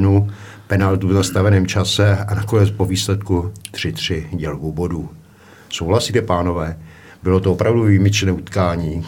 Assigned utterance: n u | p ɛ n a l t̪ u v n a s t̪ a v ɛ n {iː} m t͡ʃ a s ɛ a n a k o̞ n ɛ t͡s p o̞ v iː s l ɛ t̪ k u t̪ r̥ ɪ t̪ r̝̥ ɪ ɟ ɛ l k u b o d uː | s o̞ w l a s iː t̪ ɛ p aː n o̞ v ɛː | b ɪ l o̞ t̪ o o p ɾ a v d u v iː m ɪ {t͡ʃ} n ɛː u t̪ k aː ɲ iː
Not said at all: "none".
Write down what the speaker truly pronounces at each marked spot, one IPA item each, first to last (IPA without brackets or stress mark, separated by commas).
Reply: ɛː, t͡ʃ